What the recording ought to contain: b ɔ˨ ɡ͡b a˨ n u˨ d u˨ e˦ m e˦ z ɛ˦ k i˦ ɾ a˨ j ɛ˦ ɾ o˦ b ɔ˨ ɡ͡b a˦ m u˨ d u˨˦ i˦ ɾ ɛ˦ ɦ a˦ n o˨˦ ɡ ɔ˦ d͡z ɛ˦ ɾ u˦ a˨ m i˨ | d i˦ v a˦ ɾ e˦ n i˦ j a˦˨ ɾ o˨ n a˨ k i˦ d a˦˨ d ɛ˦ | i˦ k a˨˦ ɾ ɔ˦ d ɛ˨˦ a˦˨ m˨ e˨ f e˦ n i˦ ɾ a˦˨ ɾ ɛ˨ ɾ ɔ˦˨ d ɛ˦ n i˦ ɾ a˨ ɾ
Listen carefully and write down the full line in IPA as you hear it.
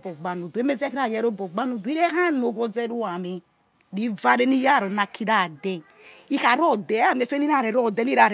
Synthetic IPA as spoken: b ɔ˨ ɡ͡b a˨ n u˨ d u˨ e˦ m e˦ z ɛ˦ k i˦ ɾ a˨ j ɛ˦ ɾ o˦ b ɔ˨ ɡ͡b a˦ n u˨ d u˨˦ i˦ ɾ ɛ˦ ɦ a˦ n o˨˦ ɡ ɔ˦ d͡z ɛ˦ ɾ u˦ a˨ m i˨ | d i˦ v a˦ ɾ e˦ n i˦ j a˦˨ ɾ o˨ n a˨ k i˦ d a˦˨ d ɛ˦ | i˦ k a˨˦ ɾ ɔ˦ d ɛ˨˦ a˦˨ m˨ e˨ f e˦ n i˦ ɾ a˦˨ ɾ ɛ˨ ɾ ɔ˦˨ d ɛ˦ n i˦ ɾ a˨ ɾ

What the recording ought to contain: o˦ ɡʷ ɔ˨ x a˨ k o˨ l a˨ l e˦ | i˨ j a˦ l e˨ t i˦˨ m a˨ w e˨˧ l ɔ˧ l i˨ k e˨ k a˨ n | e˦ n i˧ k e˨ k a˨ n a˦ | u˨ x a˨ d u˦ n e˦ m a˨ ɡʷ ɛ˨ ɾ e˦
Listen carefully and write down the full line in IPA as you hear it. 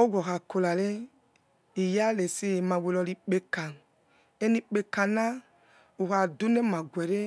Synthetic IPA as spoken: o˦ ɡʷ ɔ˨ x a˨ k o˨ l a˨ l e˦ | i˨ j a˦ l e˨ s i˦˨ m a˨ w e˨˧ l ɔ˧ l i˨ k͡p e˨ k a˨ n | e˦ n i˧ k͡p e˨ k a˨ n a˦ | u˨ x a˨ d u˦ n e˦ m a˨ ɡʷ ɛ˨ ɾ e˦

